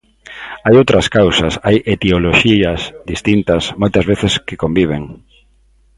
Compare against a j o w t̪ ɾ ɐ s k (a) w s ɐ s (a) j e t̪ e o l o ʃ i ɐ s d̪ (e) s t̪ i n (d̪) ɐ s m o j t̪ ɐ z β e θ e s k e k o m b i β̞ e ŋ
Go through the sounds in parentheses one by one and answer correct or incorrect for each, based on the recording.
correct, correct, incorrect, incorrect

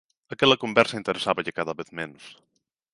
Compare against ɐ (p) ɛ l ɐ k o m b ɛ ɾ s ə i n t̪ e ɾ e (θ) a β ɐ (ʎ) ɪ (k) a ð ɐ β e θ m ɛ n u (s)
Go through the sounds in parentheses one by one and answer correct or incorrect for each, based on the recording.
incorrect, incorrect, correct, correct, correct

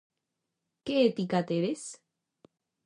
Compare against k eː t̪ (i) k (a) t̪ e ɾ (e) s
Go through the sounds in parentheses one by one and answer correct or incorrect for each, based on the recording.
correct, correct, correct

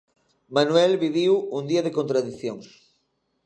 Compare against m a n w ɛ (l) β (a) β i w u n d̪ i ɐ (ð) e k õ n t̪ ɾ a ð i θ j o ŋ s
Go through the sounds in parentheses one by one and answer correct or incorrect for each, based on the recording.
correct, incorrect, correct

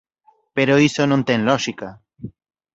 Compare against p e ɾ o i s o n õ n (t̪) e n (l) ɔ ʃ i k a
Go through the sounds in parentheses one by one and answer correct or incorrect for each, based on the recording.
correct, correct

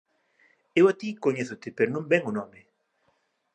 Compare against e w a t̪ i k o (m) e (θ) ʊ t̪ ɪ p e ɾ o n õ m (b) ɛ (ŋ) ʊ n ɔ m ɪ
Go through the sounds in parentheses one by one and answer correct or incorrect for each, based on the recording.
incorrect, correct, correct, correct

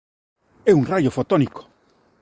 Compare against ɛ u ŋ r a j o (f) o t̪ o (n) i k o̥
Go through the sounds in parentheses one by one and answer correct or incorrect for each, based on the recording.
correct, correct

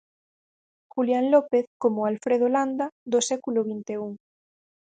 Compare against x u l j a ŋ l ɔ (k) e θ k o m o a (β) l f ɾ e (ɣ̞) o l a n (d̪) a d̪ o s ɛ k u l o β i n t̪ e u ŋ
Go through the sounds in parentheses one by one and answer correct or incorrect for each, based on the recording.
incorrect, incorrect, incorrect, correct

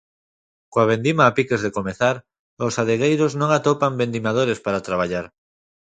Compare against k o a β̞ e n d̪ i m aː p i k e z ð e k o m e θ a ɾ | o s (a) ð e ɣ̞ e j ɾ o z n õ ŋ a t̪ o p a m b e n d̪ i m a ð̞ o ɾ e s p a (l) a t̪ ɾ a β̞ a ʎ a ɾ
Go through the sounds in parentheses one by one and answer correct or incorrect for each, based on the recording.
correct, incorrect

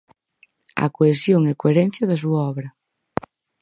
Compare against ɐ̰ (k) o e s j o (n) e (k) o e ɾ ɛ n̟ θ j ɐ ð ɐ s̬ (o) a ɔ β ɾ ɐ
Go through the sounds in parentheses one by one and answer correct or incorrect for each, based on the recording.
correct, incorrect, correct, incorrect

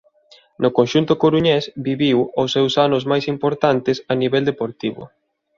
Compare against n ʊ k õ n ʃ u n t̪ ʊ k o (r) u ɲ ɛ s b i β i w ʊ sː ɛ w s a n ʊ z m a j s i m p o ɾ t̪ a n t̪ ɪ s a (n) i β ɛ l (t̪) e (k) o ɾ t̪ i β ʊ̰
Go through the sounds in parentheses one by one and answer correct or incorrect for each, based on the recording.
incorrect, correct, incorrect, incorrect

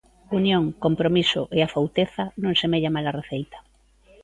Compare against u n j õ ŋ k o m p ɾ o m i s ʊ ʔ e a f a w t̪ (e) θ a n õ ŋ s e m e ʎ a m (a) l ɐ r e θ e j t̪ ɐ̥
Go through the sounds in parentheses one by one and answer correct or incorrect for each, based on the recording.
correct, correct

